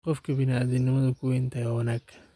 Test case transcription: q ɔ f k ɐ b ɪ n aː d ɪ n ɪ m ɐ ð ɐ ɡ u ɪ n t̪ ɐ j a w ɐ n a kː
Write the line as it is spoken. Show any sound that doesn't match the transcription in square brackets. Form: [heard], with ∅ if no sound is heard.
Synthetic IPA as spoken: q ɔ f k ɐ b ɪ n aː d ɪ n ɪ m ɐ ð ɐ [k] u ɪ n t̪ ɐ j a w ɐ n a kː